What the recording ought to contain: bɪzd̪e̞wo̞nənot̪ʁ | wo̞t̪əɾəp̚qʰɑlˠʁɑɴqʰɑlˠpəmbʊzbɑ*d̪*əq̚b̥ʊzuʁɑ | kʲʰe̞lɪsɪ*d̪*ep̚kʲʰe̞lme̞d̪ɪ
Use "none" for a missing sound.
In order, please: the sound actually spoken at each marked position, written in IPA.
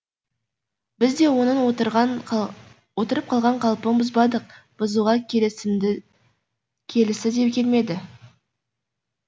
d̪, d̪

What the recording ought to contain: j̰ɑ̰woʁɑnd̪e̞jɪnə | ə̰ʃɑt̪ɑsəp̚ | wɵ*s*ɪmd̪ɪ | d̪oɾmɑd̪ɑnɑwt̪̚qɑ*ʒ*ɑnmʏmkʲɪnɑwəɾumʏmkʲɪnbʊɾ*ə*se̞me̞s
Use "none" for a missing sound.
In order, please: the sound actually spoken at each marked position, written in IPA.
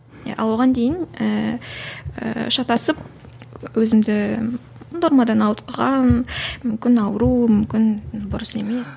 z, ʁ, ə

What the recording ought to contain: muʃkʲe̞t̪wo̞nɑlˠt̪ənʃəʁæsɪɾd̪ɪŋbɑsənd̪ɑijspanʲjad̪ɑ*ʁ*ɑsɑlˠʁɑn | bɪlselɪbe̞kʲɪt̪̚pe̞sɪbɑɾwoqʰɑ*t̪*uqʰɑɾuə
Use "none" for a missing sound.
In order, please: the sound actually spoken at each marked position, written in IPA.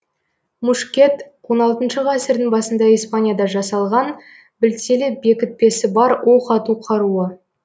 ʒ, t̪

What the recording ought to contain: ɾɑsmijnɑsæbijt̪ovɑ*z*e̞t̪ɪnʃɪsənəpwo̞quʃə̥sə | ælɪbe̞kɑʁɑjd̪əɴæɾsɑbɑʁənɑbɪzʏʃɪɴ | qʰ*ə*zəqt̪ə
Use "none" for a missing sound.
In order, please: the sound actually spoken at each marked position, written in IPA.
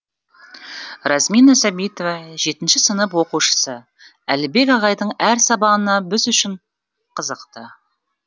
ʒ, ə

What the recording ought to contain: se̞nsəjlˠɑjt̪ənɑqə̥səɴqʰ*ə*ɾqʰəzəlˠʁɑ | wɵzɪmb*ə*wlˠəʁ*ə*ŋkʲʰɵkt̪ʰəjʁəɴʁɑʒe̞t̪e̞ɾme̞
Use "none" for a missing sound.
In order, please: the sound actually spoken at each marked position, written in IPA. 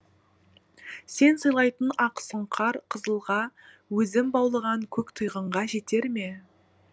ɑ, ɑ, ɑ

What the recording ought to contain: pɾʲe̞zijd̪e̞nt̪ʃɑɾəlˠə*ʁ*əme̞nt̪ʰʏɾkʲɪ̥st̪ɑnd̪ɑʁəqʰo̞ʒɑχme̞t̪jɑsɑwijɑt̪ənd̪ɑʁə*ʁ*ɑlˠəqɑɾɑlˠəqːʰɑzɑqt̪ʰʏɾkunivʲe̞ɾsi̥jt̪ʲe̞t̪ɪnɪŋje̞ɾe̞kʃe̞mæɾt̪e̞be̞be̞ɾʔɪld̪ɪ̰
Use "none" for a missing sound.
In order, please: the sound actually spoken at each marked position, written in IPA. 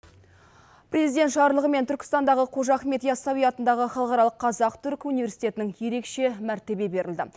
ʁ, χ

